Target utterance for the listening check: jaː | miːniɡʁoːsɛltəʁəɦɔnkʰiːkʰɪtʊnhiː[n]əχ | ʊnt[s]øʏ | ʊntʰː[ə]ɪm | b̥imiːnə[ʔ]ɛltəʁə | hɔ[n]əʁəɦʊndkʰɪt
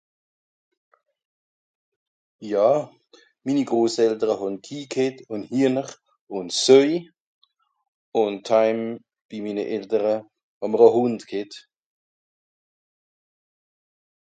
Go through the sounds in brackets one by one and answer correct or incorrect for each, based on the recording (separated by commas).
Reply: correct, correct, incorrect, correct, incorrect